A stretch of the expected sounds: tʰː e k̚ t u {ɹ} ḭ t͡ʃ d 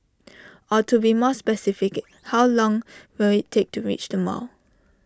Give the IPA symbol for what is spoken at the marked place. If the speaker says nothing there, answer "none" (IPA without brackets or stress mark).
ɹ